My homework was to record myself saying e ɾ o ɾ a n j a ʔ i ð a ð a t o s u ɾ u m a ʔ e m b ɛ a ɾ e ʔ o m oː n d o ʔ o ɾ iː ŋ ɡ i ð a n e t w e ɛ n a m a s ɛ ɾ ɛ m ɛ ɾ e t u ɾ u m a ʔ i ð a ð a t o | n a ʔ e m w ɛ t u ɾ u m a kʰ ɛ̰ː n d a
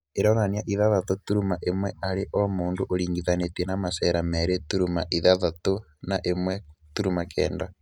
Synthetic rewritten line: e ɾ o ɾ a n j a ʔ i ð a ð a t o t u ɾ u m a ʔ e m w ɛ a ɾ e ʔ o m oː n d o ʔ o ɾ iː ŋ ɡ i ð a n e t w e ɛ n a m a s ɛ ɾ a m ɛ ɾ e t u ɾ u m a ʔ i ð a ð a t o | n a ʔ e m w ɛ t u ɾ u m a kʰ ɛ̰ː n d a